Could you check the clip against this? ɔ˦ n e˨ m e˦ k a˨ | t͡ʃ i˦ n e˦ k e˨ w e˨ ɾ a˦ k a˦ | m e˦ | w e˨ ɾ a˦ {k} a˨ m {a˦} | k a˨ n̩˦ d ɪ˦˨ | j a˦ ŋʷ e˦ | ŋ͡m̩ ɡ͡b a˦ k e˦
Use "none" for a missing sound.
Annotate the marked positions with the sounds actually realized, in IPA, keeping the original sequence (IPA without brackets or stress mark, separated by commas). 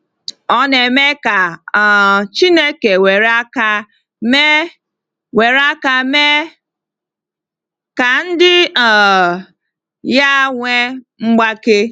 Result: k, e˦